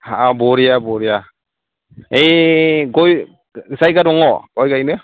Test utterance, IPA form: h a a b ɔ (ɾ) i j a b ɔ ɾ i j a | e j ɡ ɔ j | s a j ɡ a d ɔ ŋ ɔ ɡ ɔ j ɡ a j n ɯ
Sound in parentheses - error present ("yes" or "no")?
no